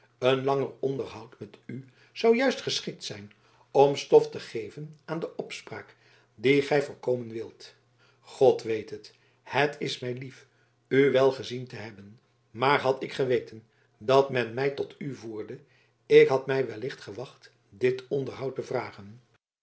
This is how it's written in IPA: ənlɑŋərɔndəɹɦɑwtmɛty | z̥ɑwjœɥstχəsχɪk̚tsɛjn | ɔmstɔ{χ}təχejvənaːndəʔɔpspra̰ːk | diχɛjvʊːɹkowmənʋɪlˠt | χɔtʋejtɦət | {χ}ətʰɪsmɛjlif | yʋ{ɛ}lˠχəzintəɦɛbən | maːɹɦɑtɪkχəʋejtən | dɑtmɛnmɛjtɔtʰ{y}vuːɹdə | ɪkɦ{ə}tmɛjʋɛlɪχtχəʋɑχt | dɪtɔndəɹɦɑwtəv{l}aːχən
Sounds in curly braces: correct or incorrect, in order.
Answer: incorrect: f, incorrect: h, correct, correct, incorrect: ɑ, incorrect: r

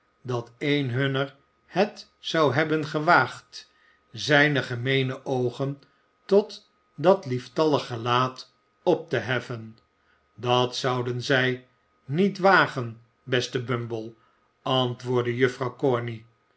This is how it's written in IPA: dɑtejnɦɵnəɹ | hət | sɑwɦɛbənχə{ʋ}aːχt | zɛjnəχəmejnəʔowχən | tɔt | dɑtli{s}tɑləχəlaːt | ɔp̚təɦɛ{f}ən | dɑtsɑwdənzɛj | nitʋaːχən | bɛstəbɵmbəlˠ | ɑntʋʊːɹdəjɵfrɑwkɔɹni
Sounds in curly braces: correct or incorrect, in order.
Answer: correct, incorrect: f, correct

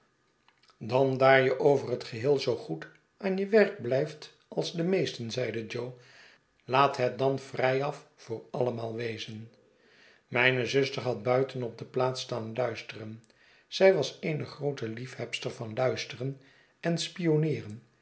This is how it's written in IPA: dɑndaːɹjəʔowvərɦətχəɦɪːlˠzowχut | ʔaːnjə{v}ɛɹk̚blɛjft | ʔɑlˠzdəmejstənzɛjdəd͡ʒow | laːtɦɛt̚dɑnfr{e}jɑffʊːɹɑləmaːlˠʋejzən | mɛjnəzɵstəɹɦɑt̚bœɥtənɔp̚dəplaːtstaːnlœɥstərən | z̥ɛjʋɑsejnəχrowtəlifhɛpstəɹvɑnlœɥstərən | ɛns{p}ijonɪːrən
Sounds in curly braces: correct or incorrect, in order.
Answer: incorrect: ʋ, incorrect: ɛ, correct

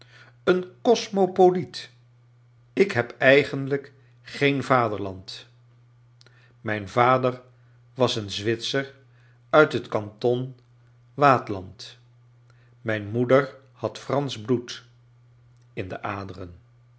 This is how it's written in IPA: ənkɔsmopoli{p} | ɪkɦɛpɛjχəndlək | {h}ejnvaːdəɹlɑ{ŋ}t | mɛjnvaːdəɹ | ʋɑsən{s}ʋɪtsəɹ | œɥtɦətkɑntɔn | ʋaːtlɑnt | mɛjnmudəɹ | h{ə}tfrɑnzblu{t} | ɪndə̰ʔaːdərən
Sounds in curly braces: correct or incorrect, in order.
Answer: incorrect: t, incorrect: χ, incorrect: n, incorrect: z, incorrect: ɑ, correct

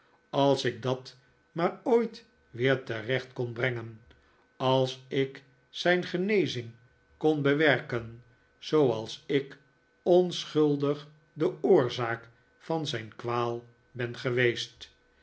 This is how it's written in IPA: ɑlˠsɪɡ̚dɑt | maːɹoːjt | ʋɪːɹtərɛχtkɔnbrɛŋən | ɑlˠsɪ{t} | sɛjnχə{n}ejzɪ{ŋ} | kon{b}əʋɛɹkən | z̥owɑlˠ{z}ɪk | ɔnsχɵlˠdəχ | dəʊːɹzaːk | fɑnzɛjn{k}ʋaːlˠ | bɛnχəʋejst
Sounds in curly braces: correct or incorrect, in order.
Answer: incorrect: k, correct, correct, correct, incorrect: s, correct

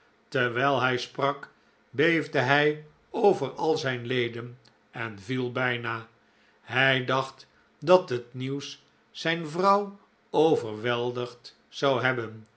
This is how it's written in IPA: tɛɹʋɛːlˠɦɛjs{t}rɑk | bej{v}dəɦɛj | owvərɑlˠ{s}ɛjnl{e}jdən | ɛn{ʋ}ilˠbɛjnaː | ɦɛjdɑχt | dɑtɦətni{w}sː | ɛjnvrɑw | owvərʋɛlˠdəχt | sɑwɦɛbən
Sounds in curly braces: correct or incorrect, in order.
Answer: incorrect: p, correct, incorrect: z, correct, incorrect: v, correct

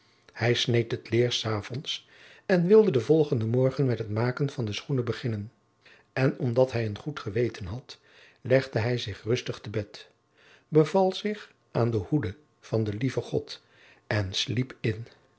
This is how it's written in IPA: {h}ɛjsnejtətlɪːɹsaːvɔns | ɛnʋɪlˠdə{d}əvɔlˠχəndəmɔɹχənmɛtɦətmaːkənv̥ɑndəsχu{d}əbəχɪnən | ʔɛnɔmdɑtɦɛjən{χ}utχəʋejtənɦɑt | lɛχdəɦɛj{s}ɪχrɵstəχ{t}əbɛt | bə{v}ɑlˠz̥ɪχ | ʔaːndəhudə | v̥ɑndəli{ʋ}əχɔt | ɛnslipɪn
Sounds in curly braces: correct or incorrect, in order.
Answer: correct, correct, incorrect: n, correct, incorrect: z, correct, correct, incorrect: v

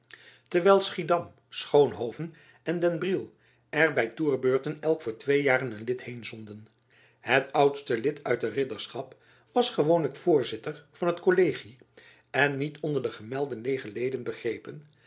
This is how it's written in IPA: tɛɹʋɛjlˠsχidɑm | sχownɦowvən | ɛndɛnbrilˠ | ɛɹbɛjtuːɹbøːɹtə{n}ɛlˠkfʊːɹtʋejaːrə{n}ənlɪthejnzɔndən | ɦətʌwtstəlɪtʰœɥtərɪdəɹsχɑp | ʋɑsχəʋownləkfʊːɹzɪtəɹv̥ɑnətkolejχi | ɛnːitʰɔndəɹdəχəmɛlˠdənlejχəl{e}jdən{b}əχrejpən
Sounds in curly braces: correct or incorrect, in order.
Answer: correct, correct, correct, correct

